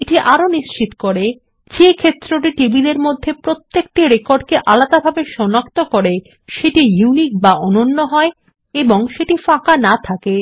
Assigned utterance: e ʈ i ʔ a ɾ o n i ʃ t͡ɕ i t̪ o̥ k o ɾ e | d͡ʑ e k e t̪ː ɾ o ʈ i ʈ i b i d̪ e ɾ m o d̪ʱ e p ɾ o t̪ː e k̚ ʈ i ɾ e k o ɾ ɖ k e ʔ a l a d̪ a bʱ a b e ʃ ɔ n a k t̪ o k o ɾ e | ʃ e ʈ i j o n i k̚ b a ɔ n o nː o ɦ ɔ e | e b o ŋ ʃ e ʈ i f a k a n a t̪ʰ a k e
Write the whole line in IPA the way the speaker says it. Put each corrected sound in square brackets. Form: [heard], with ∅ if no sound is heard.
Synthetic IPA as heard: e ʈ i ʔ a ɾ o n i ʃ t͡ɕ i t̪ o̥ k o ɾ e | d͡ʑ e [kʰ] e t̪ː ɾ o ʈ i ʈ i b i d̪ e ɾ m o [d̪ʱː] e p ɾ o t̪ː e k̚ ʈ i ɾ e k o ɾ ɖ k e ʔ a l a d̪ a bʱ a b e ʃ ɔ n a k t̪ o k o ɾ e | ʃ e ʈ i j [u] n i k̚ b a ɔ n o nː o ɦ ɔ e | e b o ŋ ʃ e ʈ i f a k a n a t̪ʰ a k e